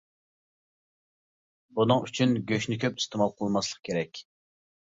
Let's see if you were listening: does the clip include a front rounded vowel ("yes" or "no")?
yes